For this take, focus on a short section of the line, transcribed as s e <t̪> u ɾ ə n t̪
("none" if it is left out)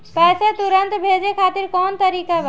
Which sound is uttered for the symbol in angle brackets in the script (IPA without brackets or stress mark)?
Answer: t̪